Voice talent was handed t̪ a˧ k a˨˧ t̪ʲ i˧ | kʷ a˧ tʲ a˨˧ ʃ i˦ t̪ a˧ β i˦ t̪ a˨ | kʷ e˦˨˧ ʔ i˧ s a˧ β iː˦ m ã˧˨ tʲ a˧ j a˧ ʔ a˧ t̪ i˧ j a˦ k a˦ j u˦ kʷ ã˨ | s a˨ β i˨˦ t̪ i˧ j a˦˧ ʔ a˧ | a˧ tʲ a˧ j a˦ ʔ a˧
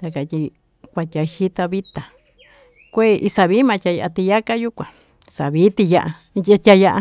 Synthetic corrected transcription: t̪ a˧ k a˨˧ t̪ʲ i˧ | kʷ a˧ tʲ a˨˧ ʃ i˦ t̪ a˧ β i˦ t̪ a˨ | kʷ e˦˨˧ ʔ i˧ s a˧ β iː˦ m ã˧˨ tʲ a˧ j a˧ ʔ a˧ t̪ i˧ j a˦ k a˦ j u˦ kʷ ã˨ | s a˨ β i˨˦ t̪ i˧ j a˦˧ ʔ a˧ | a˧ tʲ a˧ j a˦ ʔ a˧